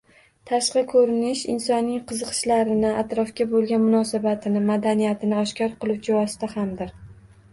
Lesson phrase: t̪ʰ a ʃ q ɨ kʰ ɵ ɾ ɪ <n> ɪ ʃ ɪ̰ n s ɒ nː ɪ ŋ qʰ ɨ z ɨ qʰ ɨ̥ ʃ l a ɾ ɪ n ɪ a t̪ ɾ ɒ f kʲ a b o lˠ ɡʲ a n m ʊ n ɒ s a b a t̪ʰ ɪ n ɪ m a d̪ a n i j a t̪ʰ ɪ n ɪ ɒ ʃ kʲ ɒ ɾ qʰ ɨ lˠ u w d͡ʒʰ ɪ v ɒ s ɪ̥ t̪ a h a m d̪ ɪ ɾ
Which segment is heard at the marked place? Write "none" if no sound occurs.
n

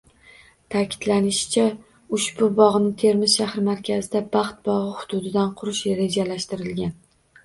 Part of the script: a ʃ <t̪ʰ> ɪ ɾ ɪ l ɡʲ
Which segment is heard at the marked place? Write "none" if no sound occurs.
t̪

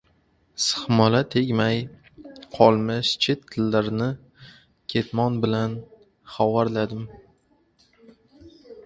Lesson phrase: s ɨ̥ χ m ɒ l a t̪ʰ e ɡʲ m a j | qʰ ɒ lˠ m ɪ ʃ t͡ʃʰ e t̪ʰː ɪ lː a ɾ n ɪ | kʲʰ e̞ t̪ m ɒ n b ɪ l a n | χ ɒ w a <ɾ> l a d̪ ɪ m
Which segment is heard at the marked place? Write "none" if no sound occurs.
ɾ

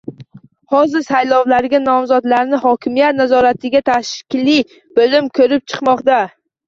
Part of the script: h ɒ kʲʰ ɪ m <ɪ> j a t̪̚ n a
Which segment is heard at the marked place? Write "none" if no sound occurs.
i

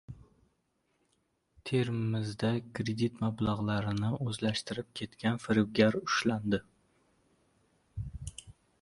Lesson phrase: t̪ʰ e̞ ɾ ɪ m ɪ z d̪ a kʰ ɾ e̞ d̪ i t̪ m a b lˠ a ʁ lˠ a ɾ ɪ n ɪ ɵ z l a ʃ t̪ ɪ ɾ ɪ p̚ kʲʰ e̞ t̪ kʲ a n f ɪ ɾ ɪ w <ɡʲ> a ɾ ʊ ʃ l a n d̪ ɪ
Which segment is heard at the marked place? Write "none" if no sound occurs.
ɡʲ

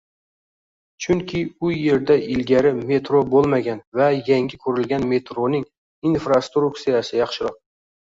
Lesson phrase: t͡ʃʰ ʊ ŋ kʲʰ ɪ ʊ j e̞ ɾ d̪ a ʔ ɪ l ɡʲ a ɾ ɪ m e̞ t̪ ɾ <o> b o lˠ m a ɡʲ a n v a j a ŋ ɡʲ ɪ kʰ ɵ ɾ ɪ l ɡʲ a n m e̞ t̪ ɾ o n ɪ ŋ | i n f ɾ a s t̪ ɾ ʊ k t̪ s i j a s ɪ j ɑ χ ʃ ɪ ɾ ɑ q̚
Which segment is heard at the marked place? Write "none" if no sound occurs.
o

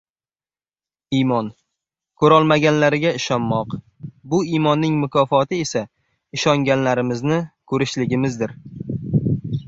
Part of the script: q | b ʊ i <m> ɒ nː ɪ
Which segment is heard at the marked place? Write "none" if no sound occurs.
m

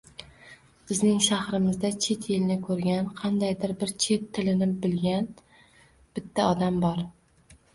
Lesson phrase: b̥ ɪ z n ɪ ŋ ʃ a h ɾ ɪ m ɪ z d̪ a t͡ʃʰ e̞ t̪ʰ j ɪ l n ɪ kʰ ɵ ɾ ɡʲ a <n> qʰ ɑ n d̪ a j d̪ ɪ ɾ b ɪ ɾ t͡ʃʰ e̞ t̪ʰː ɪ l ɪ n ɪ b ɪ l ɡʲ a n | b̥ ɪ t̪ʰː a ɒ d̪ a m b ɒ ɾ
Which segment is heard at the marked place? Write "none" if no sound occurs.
n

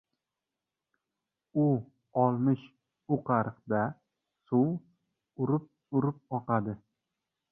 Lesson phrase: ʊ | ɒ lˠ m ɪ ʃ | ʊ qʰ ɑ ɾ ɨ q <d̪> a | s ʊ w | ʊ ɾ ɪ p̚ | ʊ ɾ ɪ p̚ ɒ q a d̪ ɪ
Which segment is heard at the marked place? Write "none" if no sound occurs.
d̪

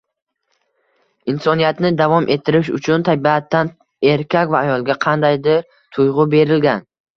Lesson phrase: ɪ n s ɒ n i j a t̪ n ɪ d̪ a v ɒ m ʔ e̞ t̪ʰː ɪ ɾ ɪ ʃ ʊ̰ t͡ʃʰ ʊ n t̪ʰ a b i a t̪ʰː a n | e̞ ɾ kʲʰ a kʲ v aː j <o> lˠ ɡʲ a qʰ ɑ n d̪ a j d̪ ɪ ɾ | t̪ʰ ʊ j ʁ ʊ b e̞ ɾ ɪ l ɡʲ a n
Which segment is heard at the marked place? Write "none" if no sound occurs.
ɒ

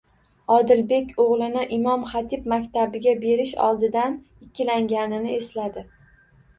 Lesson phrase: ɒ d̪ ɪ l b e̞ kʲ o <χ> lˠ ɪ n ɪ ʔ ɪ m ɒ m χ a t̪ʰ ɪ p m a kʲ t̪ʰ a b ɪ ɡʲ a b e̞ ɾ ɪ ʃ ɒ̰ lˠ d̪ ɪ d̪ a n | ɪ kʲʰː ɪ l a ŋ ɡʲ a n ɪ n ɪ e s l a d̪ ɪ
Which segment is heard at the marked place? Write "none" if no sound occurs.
ʁ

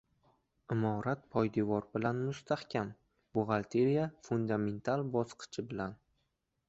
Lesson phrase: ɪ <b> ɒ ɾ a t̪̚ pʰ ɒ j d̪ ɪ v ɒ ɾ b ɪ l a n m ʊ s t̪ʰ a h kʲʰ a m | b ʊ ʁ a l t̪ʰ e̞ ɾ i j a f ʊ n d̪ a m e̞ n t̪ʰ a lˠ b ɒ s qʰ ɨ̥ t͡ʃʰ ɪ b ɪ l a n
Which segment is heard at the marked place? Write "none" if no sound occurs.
m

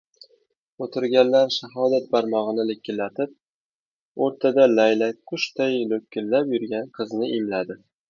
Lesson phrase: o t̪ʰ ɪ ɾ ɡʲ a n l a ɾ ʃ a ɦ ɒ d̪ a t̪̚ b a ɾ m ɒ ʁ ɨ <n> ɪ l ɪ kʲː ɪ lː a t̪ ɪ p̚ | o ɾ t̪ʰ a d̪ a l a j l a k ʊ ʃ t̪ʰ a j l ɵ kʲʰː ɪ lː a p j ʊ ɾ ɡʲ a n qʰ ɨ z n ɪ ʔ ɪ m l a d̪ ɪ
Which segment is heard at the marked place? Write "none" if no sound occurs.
n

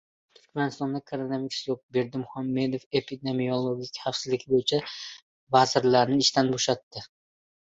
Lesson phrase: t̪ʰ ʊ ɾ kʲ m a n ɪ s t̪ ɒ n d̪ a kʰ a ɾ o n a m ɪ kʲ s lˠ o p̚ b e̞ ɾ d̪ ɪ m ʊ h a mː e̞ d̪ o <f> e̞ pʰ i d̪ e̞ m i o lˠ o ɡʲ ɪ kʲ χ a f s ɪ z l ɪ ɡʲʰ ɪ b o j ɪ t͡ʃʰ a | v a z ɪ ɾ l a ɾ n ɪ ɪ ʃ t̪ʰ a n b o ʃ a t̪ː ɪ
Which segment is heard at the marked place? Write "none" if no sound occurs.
f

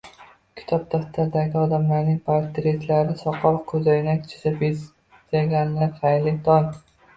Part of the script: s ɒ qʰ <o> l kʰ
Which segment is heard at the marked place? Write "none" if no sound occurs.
ɒ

